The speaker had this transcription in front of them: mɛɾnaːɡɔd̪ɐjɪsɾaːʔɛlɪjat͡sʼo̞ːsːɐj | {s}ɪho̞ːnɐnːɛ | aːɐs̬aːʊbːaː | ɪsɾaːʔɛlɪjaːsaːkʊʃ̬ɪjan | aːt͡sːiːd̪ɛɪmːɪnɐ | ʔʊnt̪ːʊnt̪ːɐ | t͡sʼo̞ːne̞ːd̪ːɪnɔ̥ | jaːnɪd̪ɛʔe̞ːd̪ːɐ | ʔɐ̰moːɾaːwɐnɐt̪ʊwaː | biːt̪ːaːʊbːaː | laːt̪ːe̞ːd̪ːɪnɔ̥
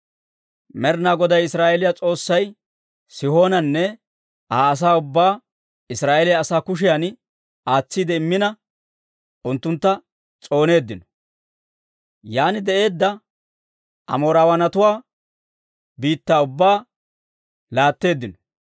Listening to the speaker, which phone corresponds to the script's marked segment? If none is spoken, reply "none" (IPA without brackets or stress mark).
s